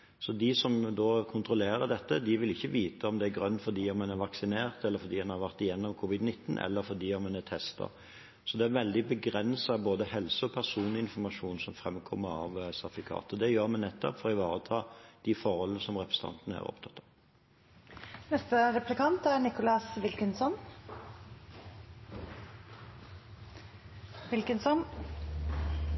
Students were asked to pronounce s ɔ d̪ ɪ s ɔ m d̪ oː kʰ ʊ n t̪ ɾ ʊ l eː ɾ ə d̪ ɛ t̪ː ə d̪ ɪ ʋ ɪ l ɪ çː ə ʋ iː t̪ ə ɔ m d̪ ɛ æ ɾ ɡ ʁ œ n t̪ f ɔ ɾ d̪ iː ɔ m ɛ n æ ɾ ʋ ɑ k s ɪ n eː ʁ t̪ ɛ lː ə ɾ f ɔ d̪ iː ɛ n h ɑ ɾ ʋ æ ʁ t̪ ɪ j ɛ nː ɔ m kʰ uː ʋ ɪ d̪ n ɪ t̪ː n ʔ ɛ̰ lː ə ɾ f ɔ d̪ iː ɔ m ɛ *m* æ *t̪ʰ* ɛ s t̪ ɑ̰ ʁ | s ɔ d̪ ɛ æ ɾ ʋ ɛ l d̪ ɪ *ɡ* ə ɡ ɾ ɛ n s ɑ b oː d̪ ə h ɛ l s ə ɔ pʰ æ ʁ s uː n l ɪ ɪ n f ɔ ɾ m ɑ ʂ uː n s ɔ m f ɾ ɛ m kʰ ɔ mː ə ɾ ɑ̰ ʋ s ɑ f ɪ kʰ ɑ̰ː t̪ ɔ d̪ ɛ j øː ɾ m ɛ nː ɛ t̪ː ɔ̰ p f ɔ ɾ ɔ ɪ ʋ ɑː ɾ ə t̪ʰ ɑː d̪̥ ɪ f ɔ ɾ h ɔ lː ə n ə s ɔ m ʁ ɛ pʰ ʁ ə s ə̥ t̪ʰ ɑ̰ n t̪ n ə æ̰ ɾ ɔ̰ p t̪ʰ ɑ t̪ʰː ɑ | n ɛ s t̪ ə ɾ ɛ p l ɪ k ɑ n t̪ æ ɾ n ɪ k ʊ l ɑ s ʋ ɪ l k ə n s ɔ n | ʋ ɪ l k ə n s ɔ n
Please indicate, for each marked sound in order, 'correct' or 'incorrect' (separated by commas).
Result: incorrect, correct, incorrect